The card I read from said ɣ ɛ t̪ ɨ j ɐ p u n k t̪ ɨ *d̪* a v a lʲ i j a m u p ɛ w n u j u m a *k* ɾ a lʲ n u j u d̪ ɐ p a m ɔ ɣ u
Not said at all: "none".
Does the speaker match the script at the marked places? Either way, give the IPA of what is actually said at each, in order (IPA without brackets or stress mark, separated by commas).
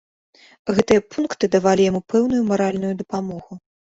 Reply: d̪, none